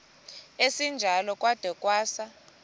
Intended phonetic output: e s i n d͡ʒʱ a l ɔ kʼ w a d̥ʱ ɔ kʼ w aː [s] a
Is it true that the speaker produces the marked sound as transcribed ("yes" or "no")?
yes